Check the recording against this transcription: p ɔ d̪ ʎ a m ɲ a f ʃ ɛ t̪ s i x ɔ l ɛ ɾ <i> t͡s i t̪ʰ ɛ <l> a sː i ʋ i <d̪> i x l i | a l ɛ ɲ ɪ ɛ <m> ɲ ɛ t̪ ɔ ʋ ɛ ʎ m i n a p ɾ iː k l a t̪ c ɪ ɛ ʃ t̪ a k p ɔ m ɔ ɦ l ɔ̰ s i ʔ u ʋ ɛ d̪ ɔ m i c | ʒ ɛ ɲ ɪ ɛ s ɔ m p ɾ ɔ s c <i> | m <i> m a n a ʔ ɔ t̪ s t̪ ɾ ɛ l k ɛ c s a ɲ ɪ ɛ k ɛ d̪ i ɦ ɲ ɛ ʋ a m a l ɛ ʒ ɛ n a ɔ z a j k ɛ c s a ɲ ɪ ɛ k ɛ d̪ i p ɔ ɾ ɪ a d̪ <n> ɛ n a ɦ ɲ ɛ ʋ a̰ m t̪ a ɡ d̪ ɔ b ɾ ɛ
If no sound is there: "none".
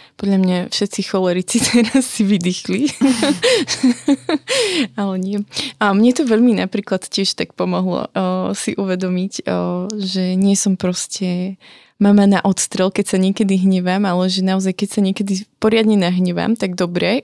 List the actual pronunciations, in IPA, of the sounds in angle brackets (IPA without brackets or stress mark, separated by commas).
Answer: i, ɾ, d̪, m, ɛ, a, ɲ